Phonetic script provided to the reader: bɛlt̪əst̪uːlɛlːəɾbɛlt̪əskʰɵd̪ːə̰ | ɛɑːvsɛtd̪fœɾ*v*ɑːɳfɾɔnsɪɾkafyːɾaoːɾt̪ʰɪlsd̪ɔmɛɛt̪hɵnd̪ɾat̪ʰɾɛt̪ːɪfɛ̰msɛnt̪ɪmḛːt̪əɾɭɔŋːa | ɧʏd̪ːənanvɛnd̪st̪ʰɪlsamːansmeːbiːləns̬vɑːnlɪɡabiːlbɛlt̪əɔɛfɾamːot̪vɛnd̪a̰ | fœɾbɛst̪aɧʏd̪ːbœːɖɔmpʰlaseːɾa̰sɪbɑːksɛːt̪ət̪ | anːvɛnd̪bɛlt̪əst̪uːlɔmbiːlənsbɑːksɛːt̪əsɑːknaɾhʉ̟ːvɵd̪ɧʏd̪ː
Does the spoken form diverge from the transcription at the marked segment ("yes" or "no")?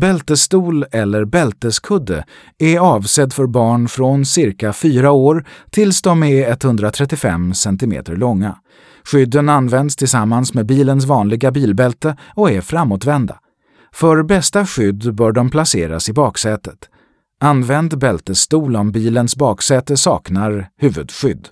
yes